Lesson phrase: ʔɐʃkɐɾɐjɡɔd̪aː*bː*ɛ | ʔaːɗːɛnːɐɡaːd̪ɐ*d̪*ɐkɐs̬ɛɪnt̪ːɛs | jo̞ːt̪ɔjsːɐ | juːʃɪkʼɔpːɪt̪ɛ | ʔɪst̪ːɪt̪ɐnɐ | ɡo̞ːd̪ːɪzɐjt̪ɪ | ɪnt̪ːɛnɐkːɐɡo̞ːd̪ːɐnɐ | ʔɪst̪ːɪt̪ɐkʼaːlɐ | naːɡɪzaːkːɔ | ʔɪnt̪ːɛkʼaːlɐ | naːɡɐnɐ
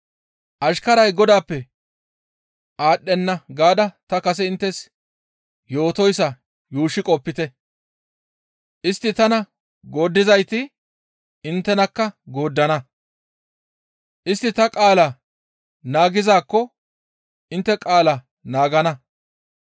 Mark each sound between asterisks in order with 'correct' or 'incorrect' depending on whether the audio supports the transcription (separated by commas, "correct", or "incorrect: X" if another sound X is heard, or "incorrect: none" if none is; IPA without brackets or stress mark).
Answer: incorrect: pː, incorrect: t̪